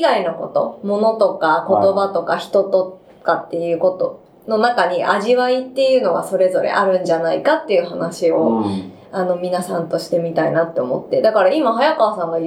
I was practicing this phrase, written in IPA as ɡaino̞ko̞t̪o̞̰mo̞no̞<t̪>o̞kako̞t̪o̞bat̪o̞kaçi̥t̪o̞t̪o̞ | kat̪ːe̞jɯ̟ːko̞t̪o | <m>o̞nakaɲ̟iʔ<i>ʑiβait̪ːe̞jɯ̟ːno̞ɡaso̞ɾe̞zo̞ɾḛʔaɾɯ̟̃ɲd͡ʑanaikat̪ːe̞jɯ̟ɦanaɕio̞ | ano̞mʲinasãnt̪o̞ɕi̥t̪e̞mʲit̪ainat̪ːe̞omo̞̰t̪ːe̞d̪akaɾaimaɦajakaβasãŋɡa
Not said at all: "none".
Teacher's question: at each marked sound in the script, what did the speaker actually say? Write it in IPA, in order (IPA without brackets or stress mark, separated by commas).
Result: t̪, n, a